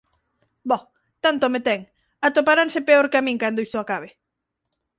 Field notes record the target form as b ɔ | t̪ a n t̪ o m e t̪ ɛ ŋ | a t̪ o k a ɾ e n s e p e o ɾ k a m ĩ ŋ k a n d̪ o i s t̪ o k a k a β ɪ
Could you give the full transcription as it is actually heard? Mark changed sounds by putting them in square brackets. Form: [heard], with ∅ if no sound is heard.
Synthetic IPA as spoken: b ɔ | t̪ a n t̪ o m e t̪ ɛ ŋ | a t̪ o [p] a ɾ [a] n s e p e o ɾ k a m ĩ ŋ k a n d̪ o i s t̪ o [∅] a k a β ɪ